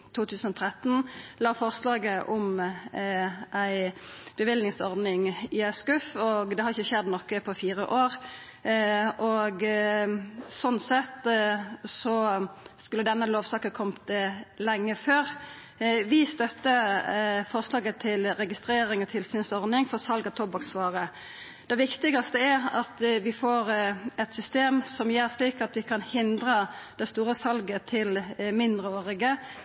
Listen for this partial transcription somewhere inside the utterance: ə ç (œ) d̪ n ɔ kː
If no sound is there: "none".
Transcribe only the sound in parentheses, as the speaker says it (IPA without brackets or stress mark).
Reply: ɛ